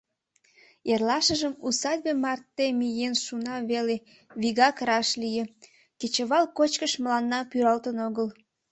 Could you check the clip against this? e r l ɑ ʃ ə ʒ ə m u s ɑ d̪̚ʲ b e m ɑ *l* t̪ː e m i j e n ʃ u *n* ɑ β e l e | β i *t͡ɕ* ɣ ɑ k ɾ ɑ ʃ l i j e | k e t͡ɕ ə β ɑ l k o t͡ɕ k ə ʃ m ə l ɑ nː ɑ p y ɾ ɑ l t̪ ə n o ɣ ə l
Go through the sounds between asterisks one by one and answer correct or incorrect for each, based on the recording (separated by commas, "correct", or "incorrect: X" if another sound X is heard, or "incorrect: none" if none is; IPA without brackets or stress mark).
incorrect: r, correct, incorrect: none